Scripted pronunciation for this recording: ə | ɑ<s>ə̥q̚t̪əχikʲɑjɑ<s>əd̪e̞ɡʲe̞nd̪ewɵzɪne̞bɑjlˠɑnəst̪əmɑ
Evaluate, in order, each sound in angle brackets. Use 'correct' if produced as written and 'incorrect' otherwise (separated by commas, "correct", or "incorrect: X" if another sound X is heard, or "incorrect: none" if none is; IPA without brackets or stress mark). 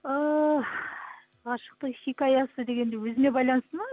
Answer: incorrect: ʃ, correct